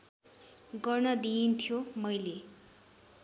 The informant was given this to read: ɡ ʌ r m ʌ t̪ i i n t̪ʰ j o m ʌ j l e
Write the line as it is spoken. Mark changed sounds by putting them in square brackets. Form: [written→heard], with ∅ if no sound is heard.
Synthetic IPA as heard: ɡ ʌ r [m→n] ʌ [t̪→d̪] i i n t̪ʰ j o m ʌ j l e